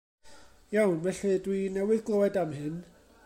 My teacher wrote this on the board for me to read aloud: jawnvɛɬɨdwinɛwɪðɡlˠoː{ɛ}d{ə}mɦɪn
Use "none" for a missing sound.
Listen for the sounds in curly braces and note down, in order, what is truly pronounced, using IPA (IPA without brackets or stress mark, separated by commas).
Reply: ɛ, a